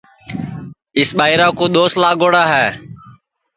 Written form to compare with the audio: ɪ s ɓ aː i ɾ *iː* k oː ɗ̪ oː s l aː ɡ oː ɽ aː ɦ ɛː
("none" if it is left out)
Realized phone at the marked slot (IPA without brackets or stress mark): aː